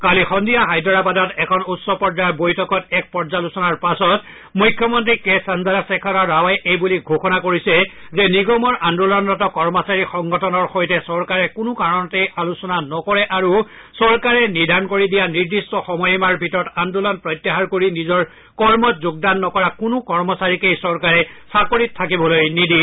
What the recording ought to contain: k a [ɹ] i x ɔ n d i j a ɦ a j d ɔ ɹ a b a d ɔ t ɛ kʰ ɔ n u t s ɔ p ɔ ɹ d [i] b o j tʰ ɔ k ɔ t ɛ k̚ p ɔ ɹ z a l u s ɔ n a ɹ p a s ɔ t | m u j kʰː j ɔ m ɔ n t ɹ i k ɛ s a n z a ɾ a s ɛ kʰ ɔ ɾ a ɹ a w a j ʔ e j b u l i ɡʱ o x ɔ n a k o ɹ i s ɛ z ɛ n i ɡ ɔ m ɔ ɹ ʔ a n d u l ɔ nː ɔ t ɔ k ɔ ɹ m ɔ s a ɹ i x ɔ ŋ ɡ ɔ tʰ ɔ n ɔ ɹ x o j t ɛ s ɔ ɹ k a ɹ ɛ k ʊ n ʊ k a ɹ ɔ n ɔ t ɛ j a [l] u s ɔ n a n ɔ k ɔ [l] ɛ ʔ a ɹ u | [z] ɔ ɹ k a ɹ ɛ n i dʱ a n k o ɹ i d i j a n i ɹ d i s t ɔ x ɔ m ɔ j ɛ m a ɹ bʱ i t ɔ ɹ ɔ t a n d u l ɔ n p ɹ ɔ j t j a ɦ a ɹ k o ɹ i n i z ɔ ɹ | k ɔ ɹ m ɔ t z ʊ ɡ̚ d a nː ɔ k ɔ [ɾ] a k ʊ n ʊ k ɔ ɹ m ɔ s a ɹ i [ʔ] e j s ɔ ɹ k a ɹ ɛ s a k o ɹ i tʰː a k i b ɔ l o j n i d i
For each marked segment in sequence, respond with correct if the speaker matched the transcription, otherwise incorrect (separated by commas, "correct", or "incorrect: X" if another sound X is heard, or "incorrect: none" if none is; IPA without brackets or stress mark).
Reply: incorrect: l, incorrect: a, correct, incorrect: ɹ, incorrect: s, incorrect: ɹ, incorrect: k